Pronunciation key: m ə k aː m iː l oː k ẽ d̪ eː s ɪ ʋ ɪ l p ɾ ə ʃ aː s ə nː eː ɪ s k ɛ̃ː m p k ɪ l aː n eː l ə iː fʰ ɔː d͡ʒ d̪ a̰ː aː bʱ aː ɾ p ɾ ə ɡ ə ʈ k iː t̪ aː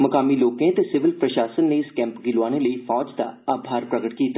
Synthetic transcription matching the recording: m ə k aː m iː l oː k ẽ t̪ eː s ɪ ʋ ɪ l p ɾ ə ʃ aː s ə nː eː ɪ s k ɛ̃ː m p ɡ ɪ l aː n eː l ə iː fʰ ɔː d͡ʒ d̪ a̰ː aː bʱ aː ɾ p ɾ ə ɡ ə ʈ k iː t̪ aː